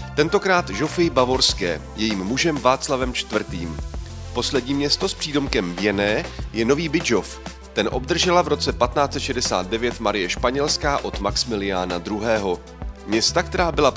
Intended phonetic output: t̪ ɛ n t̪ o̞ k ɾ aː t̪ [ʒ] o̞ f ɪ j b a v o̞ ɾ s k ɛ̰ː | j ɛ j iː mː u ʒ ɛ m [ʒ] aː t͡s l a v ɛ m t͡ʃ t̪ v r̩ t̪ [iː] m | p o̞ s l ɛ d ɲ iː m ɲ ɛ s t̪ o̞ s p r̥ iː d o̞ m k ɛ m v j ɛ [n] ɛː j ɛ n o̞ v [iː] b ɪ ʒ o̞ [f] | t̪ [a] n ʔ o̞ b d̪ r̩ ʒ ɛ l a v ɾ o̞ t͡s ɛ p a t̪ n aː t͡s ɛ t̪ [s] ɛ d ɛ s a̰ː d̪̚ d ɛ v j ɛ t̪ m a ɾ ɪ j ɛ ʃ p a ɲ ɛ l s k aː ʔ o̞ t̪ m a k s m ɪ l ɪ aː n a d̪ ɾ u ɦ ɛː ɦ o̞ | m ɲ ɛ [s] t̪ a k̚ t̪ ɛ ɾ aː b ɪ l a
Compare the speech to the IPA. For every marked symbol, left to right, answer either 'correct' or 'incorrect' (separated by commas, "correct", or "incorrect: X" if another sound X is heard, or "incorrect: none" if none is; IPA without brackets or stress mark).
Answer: correct, incorrect: v, correct, correct, correct, correct, incorrect: ɛ, incorrect: ʃ, correct